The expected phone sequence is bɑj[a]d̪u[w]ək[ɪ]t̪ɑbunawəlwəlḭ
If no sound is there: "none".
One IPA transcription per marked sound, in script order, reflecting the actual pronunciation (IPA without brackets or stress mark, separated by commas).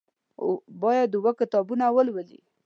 a, w, ɪ